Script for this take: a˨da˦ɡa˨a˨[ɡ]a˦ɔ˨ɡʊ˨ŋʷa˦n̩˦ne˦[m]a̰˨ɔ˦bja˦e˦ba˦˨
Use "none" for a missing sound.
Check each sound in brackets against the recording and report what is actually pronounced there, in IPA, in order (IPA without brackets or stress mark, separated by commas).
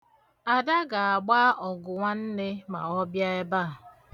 ɡ͡b, m